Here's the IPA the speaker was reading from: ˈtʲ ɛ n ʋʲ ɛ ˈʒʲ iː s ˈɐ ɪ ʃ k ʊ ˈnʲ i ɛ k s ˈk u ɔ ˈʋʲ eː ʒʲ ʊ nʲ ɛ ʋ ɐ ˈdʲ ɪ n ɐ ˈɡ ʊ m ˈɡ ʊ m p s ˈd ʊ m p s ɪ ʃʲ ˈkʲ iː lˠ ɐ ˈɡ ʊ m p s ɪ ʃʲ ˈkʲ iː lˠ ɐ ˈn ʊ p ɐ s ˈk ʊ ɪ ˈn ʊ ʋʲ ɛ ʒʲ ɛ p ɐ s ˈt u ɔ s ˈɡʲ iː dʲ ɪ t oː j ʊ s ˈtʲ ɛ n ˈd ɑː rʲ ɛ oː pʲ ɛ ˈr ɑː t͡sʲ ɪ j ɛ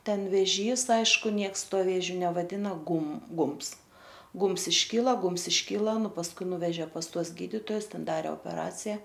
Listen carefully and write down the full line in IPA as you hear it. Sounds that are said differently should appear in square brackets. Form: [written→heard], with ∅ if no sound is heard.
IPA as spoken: ˈtʲ ɛ n ʋʲ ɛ ˈʒʲ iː s ˈɐ ɪ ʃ k ʊ ˈnʲ i ɛ k s [ˈk→ˈt] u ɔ ˈʋʲ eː ʒʲ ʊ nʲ ɛ ʋ ɐ ˈdʲ ɪ n ɐ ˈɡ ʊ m ˈɡ ʊ m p s [ˈd→ˈɡ] ʊ m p s ɪ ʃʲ ˈkʲ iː lˠ ɐ ˈɡ ʊ m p s ɪ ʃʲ ˈkʲ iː lˠ ɐ ˈn ʊ p ɐ s ˈk ʊ ɪ ˈn ʊ ʋʲ ɛ ʒʲ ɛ p ɐ s ˈt u ɔ s ˈɡʲ iː dʲ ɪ t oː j ʊ s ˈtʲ ɛ n ˈd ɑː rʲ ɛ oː pʲ ɛ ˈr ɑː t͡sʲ ɪ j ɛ

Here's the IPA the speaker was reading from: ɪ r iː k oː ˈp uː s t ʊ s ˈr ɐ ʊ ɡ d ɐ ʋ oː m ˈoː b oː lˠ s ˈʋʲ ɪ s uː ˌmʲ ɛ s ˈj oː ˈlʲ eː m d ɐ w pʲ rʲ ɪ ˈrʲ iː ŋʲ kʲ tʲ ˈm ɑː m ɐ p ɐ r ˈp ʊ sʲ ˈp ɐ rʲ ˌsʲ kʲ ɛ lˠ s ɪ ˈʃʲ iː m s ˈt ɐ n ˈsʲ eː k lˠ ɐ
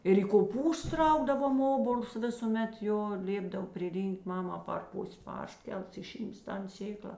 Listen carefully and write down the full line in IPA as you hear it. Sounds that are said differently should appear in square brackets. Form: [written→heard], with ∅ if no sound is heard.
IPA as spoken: ɪ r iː k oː ˈp uː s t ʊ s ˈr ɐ ʊ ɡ d ɐ ʋ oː m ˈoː b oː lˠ s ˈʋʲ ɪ s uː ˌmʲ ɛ [s→t] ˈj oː ˈlʲ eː [m→b] d ɐ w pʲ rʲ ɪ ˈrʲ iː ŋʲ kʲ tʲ ˈm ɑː m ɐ p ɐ r ˈp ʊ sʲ ˈp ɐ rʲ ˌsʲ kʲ ɛ lˠ s ɪ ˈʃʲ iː m s ˈt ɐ n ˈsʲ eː k lˠ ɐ

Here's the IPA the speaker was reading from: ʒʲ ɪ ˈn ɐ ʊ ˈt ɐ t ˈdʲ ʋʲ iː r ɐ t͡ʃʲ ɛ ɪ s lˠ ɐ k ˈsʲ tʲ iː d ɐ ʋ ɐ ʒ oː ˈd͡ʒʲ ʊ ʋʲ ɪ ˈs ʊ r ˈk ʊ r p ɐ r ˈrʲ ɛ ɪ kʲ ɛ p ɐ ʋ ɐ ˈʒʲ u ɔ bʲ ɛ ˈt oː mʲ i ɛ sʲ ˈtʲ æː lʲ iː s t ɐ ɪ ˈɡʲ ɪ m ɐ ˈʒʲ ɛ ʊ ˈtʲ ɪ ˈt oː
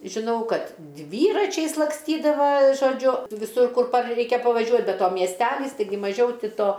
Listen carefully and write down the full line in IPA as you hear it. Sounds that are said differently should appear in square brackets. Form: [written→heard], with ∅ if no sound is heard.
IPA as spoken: ʒʲ ɪ ˈn ɐ ʊ [ˈt→ˈk] ɐ t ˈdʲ ʋʲ iː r ɐ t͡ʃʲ ɛ ɪ s lˠ ɐ k ˈsʲ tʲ iː d ɐ ʋ ɐ ʒ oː ˈd͡ʒʲ ʊ ʋʲ ɪ ˈs ʊ r ˈk ʊ r p ɐ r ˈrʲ ɛ ɪ kʲ ɛ p ɐ ʋ ɐ ˈʒʲ u ɔ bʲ ɛ ˈt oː mʲ i ɛ sʲ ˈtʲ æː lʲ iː s t ɐ ɪ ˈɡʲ ɪ m ɐ ˈʒʲ ɛ ʊ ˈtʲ ɪ ˈt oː

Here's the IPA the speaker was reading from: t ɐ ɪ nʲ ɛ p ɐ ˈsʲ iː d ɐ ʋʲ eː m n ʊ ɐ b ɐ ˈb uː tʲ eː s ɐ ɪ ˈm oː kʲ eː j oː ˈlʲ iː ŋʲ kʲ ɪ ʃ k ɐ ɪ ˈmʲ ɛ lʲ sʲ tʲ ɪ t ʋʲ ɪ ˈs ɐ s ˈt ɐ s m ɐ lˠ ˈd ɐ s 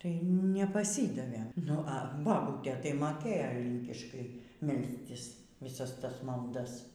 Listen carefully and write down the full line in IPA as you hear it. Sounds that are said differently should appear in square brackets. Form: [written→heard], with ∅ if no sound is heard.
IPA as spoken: t ɐ ɪ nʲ ɛ p ɐ ˈsʲ iː d ɐ ʋʲ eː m n ʊ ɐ b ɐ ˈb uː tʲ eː [s→t] ɐ ɪ ˈm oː kʲ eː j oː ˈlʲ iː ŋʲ kʲ ɪ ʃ k ɐ ɪ ˈmʲ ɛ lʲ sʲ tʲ ɪ [t→s] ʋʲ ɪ ˈs ɐ s ˈt ɐ s m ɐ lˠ ˈd ɐ s

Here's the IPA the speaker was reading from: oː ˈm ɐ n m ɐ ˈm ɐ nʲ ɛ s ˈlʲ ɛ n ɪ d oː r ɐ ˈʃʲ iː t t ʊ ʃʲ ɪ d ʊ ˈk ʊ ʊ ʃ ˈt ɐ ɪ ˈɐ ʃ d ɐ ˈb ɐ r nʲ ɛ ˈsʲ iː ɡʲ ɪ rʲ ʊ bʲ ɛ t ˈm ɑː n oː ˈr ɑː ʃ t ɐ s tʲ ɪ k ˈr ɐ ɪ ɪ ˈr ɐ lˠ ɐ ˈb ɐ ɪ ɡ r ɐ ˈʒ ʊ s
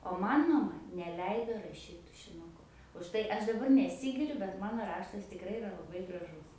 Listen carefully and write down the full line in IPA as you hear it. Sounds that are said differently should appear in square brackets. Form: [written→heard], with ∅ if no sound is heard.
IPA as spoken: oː ˈm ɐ n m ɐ ˈm ɐ nʲ ɛ [s→∅] ˈlʲ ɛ [n→∅] ɪ d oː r ɐ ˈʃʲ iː t t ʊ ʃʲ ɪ [d→n] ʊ ˈk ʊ ʊ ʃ ˈt ɐ ɪ ˈɐ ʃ d ɐ ˈb ɐ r nʲ ɛ ˈsʲ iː ɡʲ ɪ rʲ ʊ bʲ ɛ t ˈm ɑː n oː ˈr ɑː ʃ t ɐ s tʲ ɪ k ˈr ɐ ɪ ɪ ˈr ɐ lˠ ɐ ˈb ɐ ɪ ɡ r ɐ ˈʒ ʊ s

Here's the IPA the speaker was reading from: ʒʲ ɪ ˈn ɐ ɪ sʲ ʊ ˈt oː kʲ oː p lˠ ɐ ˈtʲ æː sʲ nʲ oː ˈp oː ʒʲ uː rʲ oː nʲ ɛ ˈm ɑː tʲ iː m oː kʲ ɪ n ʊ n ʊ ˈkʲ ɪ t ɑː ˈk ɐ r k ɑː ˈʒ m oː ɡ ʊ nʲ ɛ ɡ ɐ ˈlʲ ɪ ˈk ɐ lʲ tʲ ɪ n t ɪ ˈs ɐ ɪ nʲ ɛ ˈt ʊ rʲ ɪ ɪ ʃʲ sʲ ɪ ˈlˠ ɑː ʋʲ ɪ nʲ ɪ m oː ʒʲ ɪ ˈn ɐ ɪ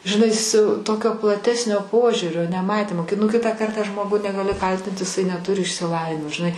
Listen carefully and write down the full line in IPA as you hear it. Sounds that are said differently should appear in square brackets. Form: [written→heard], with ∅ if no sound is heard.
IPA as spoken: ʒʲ ɪ ˈn ɐ ɪ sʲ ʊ ˈt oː kʲ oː p lˠ ɐ ˈtʲ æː sʲ nʲ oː ˈp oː ʒʲ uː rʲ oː nʲ ɛ ˈm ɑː tʲ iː m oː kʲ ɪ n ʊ n ʊ ˈkʲ ɪ t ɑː ˈk ɐ r [k→t] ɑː ˈʒ m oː ɡ ʊ nʲ ɛ ɡ ɐ ˈlʲ ɪ ˈk ɐ lʲ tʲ ɪ n t ɪ ˈs ɐ ɪ nʲ ɛ ˈt ʊ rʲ ɪ ɪ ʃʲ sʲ ɪ ˈlˠ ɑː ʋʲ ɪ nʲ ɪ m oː ʒʲ ɪ ˈn ɐ ɪ

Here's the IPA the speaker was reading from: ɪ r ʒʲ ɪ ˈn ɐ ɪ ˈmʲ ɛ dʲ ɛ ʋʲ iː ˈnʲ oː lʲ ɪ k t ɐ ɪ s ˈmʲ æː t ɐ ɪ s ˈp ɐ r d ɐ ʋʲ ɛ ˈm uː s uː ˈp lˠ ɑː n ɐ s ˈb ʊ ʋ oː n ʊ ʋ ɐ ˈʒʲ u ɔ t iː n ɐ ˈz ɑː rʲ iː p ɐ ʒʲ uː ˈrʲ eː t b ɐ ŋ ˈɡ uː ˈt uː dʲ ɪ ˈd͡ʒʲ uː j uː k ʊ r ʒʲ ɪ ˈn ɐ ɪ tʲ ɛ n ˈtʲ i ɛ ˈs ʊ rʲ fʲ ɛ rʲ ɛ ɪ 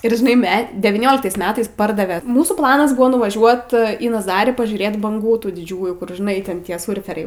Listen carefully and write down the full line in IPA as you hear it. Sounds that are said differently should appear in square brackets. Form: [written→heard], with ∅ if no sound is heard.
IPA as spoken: ɪ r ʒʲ ɪ ˈn ɐ ɪ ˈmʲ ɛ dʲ ɛ ʋʲ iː ˈnʲ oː lʲ ɪ k t ɐ ɪ s ˈmʲ æː t ɐ ɪ s ˈp ɐ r d ɐ ʋʲ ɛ ˈm uː s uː ˈp lˠ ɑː n ɐ s ˈb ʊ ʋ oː n ʊ ʋ ɐ ˈʒʲ u ɔ t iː n ɐ ˈz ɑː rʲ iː p ɐ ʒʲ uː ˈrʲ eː t b ɐ ŋ ˈɡ uː ˈt uː dʲ ɪ ˈd͡ʒʲ uː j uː k ʊ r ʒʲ ɪ ˈn ɐ ɪ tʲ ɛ n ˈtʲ i ɛ ˈs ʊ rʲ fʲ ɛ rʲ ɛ ɪ

